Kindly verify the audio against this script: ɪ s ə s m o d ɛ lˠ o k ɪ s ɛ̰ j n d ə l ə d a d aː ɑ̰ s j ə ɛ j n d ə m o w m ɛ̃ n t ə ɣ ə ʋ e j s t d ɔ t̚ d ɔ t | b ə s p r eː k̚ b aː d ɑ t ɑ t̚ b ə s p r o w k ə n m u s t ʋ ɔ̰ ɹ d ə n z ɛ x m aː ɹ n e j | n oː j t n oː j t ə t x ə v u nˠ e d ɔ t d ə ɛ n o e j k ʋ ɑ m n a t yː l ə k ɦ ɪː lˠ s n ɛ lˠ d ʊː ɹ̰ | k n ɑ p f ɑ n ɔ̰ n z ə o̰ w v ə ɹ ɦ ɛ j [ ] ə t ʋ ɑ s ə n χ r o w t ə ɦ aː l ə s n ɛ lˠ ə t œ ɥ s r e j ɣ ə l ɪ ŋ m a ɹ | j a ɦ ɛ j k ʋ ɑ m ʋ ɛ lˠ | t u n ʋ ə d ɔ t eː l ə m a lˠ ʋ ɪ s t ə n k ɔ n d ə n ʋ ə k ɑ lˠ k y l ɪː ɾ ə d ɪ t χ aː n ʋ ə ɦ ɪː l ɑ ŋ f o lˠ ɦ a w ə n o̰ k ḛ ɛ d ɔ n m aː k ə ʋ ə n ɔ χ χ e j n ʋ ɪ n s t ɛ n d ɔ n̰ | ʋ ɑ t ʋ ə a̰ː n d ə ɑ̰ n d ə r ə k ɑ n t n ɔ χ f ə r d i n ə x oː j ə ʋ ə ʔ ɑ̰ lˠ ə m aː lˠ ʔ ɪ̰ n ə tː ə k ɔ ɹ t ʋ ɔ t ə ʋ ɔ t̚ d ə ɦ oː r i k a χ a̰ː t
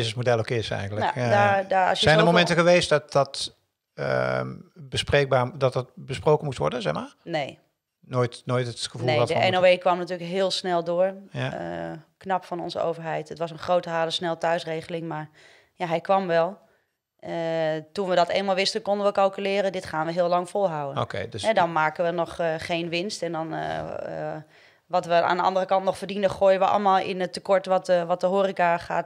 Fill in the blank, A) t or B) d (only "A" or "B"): A